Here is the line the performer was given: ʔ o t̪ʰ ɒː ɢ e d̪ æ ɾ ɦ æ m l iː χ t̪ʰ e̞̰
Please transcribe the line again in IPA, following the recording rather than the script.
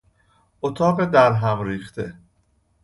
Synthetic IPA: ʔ o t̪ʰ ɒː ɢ e d̪ æ ɾ ɦ æ m ɾ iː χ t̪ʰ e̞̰